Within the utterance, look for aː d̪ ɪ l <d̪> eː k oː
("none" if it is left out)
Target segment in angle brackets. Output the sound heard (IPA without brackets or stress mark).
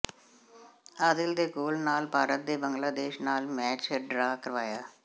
d̪